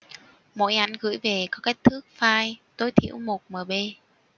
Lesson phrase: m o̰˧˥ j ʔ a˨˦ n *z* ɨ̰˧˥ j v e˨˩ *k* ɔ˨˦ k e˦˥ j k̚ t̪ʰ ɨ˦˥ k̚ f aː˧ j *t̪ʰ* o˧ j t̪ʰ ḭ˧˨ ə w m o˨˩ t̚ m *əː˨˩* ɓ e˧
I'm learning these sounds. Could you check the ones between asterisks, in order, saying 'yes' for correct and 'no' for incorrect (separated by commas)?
no, yes, no, yes